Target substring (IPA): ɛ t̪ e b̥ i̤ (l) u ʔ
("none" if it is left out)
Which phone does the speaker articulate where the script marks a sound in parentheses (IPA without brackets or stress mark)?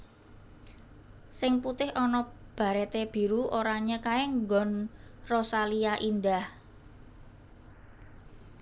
ɾ